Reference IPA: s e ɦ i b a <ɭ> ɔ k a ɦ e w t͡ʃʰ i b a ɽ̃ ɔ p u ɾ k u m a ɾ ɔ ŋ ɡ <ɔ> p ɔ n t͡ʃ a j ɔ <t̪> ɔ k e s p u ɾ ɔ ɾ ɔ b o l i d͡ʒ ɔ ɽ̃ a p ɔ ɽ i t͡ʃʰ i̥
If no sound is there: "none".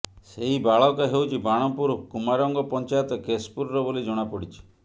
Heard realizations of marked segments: ɭ, ɔ, t̪

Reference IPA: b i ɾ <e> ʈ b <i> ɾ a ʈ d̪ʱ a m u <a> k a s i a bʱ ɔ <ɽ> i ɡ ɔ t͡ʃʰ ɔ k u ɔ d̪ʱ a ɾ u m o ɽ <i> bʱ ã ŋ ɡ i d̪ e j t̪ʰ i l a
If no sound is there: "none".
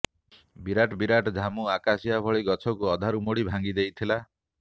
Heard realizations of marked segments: a, i, a, ɭ, i

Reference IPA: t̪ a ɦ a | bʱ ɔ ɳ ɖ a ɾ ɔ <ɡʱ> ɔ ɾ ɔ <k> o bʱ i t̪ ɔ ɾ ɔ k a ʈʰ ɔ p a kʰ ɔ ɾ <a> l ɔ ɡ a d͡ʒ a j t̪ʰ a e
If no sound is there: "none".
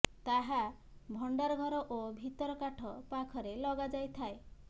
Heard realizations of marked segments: ɡʱ, ʔ, e

